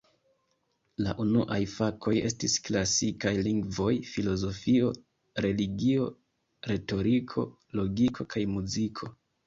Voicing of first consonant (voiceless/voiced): voiced